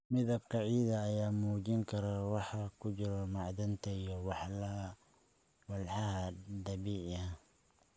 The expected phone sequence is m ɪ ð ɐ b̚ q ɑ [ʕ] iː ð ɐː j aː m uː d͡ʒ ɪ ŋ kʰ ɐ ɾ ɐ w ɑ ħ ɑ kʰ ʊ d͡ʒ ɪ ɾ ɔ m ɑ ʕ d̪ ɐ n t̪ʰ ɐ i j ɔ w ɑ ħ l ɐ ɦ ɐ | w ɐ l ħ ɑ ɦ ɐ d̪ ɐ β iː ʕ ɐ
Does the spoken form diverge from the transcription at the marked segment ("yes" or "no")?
no